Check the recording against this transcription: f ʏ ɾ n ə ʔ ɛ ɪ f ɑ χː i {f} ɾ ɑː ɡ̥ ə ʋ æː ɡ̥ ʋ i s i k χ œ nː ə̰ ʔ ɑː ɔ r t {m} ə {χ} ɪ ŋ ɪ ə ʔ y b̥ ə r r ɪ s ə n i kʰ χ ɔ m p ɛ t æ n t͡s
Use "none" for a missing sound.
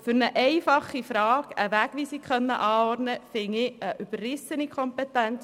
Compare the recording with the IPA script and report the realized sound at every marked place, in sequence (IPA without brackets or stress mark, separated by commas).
f, n, f